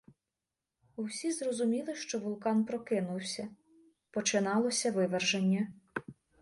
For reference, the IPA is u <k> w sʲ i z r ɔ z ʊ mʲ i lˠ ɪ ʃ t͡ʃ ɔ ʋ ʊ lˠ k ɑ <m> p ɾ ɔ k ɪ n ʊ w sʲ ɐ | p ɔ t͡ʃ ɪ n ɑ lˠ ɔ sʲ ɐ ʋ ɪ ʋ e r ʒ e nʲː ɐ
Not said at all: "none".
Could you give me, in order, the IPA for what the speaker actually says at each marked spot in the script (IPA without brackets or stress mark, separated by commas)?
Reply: none, n